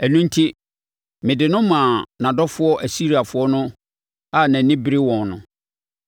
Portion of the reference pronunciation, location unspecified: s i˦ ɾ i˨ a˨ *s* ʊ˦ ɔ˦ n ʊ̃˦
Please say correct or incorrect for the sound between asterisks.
incorrect